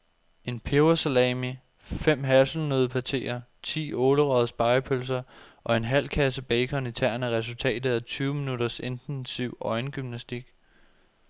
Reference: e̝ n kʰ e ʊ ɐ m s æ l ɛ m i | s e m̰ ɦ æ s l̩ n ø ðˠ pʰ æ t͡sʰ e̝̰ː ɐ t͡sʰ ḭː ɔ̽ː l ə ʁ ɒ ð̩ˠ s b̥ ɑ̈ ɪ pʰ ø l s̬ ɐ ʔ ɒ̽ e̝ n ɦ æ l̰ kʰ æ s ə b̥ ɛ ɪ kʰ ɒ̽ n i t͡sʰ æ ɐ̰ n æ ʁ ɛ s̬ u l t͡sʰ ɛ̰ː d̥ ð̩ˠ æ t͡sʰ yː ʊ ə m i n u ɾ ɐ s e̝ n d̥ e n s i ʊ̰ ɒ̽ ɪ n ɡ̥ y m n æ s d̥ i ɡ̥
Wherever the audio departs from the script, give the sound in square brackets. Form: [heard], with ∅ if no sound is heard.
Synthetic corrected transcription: e̝ n [pʰ] e ʊ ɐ [∅] s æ l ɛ m i | [f] e m̰ ɦ æ s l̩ n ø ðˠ pʰ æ t͡sʰ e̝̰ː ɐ t͡sʰ ḭː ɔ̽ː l ə ʁ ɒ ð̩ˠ s b̥ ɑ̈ ɪ pʰ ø l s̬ ɐ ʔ ɒ̽ e̝ n ɦ æ l̰ kʰ æ s ə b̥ ɛ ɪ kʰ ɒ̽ n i t͡sʰ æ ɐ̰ n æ ʁ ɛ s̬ u l t͡sʰ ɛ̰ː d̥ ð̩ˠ æ t͡sʰ yː ʊ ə m i n u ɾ ɐ s e̝ n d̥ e n s i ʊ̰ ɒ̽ ɪ n ɡ̥ y m n æ s d̥ i ɡ̥